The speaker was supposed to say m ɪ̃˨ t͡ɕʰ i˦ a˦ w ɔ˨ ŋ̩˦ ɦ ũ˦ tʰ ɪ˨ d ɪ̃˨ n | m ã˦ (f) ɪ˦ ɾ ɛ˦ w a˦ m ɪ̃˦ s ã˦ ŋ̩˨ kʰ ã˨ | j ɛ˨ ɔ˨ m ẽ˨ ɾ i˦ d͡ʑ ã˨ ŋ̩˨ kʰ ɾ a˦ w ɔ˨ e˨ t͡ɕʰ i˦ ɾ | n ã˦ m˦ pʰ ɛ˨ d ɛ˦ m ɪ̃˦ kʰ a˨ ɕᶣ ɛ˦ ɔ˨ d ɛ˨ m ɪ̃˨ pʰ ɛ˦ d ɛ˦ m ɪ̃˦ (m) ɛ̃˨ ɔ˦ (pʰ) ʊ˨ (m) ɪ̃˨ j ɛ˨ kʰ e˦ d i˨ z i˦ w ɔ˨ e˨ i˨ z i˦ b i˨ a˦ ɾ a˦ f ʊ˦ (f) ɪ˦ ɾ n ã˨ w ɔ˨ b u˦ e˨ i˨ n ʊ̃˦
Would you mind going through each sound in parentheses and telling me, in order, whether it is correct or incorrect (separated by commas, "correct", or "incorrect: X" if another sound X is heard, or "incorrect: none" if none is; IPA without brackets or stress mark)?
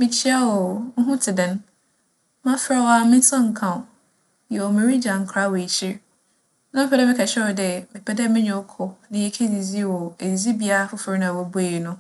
correct, incorrect: ɲ, incorrect: kʰ, incorrect: n, correct